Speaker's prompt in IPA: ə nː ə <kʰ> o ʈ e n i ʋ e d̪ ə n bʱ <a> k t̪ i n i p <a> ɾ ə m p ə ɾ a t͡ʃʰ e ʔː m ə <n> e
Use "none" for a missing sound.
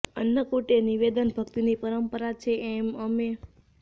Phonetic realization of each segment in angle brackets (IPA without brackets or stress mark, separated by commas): k, ə, ə, m